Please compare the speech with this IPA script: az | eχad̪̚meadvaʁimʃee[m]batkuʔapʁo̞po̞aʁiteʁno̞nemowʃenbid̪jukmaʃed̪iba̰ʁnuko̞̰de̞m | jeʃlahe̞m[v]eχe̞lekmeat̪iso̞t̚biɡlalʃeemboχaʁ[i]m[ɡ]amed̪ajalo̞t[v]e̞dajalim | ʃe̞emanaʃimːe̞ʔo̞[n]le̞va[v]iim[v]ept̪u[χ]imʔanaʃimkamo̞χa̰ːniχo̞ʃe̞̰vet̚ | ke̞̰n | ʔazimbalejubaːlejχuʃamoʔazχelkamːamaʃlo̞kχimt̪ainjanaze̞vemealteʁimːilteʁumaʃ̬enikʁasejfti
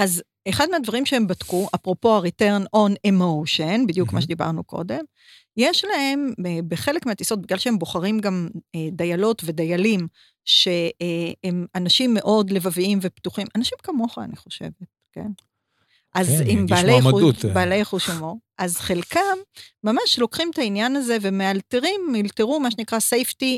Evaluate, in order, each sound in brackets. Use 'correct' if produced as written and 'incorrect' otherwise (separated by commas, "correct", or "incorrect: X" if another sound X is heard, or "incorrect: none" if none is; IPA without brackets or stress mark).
correct, incorrect: b, correct, correct, correct, incorrect: d, correct, correct, correct